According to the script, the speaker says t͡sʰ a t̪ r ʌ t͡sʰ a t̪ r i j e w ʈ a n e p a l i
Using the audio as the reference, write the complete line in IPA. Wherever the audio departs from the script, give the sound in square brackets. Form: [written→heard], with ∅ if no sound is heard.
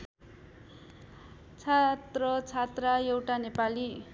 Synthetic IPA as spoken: t͡sʰ a t̪ r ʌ t͡sʰ a t̪ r [i→a] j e w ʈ a n e p a l i